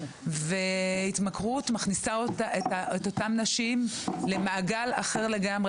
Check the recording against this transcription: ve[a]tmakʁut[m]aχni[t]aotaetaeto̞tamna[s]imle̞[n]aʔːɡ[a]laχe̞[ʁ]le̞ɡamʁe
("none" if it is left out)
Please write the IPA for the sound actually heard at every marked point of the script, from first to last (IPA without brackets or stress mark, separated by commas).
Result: i, m, s, ʃ, m, a, ʁ